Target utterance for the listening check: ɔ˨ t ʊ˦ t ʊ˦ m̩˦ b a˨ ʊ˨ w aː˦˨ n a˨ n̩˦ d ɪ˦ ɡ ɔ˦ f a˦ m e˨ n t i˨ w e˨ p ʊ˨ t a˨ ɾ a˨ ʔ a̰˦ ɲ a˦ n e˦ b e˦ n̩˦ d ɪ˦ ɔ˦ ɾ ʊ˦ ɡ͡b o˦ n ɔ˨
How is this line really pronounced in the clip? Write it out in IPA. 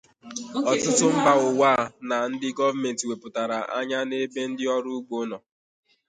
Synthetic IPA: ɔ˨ t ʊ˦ t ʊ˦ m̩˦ b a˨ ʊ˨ w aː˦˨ n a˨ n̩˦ d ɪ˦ ɡ ɔ˦ v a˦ m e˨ n t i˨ w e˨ p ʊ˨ t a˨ ɾ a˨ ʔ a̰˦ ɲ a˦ n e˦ b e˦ n̩˦ d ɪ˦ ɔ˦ ɾ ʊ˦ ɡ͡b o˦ n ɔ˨